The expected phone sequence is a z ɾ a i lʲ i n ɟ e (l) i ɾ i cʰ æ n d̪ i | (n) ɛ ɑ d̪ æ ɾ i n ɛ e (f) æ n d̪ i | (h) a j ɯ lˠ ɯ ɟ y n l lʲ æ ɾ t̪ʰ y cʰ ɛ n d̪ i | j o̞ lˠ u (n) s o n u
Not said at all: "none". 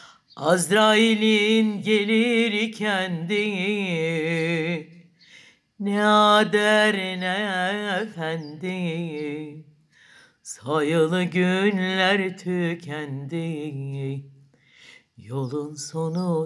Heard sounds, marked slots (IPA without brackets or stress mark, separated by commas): l, n, f, s, n